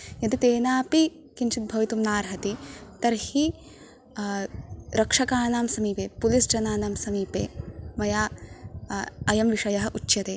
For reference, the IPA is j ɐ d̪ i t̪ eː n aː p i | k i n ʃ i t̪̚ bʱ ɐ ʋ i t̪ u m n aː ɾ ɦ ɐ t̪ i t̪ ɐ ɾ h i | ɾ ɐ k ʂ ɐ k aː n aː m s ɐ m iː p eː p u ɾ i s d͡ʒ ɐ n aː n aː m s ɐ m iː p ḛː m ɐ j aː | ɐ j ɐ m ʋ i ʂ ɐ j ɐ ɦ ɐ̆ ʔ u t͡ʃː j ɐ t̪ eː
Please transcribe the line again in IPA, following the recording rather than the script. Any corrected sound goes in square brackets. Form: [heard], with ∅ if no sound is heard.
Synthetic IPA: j ɐ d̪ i t̪ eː n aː p i | k i n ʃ i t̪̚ bʱ ɐ ʋ i t̪ u m n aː ɾ ɦ ɐ t̪ i t̪ ɐ ɾ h i | ɾ ɐ k ʂ ɐ k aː n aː m s ɐ m iː p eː p u [l] i s d͡ʒ ɐ n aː n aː m s ɐ m iː p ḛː m ɐ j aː | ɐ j ɐ m ʋ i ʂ ɐ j ɐ ɦ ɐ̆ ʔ u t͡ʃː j ɐ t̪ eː